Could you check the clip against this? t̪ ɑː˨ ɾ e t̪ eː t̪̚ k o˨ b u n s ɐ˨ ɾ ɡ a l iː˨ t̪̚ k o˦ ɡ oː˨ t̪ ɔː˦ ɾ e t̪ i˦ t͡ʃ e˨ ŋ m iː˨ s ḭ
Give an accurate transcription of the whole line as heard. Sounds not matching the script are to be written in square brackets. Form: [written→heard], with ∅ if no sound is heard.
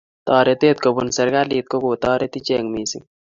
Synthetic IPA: t̪ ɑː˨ ɾ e t̪ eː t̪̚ k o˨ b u n s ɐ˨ ɾ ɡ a l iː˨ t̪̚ k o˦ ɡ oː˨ t̪ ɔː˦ ɾ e t̪ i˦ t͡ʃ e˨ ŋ m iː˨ s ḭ